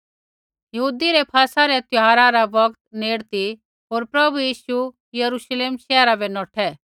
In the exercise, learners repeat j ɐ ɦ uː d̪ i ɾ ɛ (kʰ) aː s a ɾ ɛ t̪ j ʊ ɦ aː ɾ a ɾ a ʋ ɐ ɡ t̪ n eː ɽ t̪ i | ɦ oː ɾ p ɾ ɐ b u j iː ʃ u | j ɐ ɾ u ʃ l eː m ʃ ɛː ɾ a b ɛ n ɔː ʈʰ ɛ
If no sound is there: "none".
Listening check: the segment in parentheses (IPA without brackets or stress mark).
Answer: pʰ